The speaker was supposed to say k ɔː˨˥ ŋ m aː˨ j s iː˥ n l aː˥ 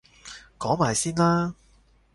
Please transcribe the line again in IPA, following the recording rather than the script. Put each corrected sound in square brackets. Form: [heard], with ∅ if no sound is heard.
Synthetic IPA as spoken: k ɔː˨˥ ŋ m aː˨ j s iː˥ n l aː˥